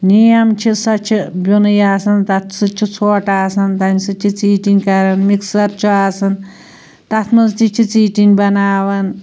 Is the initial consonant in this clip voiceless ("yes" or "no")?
no